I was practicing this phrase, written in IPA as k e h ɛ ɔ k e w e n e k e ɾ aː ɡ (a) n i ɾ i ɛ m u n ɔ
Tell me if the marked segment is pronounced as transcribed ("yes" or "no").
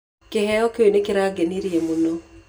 no